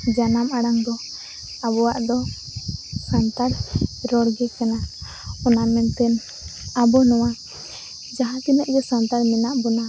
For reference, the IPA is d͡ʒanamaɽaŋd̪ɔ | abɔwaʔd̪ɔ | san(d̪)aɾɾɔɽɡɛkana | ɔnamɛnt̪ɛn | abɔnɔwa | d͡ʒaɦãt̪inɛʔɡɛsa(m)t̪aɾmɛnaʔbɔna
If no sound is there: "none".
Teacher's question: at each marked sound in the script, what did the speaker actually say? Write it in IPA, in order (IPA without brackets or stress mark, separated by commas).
t̪, n